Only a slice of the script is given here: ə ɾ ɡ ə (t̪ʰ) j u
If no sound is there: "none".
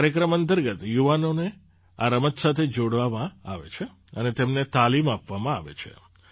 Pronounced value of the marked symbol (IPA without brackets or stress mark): t̪